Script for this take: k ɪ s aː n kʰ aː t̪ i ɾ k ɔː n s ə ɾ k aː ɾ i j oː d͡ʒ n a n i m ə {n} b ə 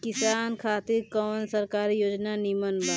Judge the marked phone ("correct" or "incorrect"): correct